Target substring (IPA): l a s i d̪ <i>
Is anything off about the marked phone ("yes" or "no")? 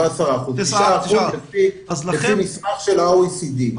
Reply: no